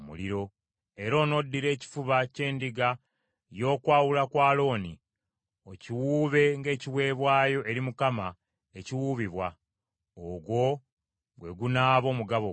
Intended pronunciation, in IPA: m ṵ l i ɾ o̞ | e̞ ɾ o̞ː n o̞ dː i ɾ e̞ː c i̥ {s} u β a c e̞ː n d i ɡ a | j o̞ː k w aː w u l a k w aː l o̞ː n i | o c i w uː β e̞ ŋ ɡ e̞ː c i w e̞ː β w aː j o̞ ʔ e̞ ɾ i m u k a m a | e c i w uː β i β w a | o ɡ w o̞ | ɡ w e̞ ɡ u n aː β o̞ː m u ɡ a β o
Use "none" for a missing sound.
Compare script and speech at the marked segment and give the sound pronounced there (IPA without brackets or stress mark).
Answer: f